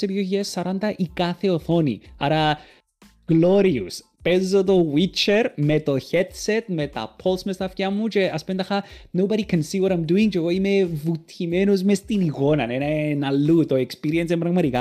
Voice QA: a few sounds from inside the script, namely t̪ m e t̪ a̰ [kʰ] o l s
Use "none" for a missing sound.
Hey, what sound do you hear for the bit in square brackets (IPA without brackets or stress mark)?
pʰ